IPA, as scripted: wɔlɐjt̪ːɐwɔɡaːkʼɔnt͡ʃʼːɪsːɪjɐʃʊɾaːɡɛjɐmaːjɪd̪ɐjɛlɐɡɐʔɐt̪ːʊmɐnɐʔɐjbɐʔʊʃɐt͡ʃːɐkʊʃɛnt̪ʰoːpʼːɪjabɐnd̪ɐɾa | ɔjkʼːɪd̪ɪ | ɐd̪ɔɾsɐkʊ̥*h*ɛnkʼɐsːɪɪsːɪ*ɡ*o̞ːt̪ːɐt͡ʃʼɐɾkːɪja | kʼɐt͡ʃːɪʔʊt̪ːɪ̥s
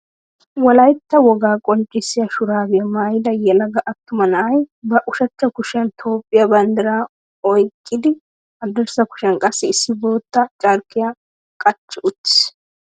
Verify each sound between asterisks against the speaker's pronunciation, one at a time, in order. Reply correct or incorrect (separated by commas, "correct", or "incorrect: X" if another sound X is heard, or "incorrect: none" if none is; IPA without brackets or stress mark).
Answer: incorrect: ʃ, incorrect: b